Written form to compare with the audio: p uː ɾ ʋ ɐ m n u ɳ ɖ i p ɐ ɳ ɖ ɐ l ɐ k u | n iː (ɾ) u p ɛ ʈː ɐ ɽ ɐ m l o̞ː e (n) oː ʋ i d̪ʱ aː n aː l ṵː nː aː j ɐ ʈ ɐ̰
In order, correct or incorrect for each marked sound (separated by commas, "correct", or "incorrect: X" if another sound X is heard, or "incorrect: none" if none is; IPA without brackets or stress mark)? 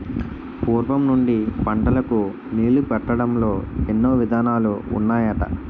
incorrect: l, incorrect: nː